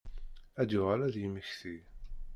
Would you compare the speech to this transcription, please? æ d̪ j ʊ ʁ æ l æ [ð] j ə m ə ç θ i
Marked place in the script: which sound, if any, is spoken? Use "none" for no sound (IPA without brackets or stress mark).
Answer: ð